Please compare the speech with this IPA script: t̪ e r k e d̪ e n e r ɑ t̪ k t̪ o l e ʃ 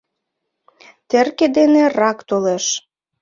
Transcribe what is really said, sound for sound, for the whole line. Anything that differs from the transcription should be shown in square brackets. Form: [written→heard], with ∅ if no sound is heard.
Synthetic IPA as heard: t̪ e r k e d̪ e n e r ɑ [t̪→∅] k t̪ o l e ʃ